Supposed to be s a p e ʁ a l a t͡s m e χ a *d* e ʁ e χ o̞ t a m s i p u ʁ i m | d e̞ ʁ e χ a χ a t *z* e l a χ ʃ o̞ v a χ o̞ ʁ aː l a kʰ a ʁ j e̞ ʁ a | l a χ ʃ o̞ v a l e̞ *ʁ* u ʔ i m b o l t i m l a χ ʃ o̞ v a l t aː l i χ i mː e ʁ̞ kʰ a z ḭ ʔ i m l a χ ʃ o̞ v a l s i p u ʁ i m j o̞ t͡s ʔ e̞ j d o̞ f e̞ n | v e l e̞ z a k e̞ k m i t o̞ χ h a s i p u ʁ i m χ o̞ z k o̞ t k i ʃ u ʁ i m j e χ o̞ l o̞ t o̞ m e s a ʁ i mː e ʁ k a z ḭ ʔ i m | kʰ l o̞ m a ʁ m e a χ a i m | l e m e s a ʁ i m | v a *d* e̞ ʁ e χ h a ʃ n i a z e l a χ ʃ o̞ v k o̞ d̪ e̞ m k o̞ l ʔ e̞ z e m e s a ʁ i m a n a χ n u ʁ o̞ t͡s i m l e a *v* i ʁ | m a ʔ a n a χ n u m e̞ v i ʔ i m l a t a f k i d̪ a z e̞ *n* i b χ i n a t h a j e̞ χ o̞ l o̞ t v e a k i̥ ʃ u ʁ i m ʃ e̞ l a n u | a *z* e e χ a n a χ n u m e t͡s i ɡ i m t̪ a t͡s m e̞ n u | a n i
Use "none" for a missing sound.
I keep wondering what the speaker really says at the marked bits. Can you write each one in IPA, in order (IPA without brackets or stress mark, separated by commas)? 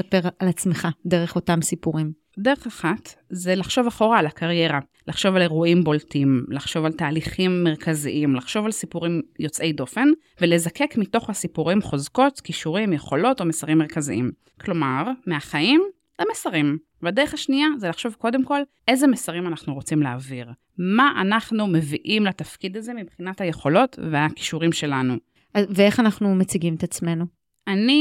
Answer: d, z, ʁ, d, v, m, v